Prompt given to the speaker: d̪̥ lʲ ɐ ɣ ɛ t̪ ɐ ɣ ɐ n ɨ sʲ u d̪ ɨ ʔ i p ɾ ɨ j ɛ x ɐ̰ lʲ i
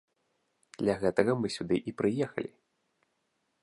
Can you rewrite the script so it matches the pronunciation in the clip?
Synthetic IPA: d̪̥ lʲ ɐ ɣ ɛ t̪ ɐ ɣ ɐ m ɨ sʲ u d̪ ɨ ʔ i p ɾ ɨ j ɛ x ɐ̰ lʲ i